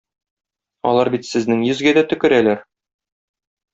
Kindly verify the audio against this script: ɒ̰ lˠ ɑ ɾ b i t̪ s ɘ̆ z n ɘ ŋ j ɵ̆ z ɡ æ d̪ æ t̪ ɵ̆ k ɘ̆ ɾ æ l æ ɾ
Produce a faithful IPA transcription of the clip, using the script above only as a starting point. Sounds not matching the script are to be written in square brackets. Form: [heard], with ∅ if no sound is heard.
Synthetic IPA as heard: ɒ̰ lˠ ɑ ɾ b i t̪ s ɘ̆ z n ɘ ŋ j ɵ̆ z ɡ æ d̪ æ t̪ ɵ̆ k ɘ̆ ɾ æ l æ ɾ